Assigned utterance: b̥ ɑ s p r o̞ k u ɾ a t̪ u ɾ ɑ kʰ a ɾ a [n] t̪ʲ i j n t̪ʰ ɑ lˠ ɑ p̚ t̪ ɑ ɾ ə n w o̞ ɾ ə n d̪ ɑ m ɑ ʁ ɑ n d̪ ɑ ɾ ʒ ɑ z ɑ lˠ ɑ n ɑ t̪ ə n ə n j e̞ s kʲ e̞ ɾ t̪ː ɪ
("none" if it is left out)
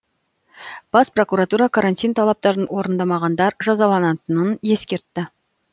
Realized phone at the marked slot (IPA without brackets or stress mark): n